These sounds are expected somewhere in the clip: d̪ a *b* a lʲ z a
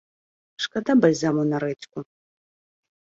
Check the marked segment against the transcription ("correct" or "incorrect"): correct